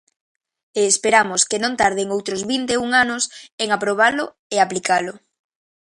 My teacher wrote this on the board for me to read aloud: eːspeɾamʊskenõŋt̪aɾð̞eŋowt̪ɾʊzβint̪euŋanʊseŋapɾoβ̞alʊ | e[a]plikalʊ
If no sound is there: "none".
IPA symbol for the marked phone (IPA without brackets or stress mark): a